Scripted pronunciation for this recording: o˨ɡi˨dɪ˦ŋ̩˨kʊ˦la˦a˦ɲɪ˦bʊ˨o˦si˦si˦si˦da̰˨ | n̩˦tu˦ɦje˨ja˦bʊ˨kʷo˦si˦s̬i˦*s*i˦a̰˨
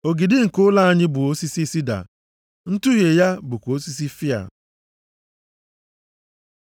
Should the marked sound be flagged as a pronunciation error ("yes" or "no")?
yes